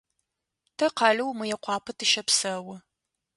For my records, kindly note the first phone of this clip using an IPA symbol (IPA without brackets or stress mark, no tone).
tʰ